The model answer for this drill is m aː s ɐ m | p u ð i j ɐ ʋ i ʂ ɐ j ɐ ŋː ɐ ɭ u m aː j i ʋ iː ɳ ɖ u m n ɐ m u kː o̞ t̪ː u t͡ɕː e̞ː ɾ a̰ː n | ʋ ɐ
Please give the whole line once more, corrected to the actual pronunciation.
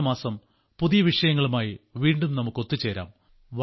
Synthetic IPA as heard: m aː s ɐ m | p u ð i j ɐ ʋ i ʂ ɐ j ɐ ŋː ɐ ɭ u m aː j i ʋ iː ɳ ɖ u m n ɐ m u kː o̞ t̪ː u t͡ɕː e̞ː ɾ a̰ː m | ʋ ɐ